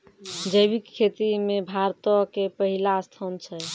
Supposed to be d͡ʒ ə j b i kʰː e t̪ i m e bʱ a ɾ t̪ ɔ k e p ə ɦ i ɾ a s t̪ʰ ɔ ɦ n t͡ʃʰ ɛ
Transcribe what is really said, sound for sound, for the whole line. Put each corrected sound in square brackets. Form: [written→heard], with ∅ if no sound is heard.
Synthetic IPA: d͡ʒ ə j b i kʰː e t̪ i m e bʱ a ɾ t̪ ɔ k e p ə ɦ i [ɾ→l] a s t̪ʰ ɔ [ɦ→∅] n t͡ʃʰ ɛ